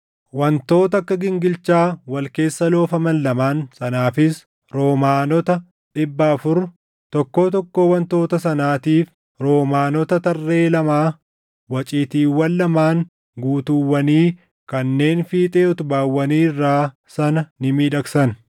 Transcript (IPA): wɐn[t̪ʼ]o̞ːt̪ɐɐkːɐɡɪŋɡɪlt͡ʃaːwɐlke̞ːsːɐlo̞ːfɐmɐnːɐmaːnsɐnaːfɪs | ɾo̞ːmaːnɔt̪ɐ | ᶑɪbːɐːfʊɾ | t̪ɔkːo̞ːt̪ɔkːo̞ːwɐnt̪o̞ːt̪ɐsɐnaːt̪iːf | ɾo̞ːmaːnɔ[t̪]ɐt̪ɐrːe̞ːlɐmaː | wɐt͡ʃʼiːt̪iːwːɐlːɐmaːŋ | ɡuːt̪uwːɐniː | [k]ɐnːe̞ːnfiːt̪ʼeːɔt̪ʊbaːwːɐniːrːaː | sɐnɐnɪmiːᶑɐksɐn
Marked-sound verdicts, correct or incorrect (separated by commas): incorrect, correct, correct